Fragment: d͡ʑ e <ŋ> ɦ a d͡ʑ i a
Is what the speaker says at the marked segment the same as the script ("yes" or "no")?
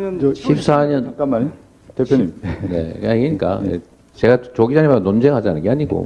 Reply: yes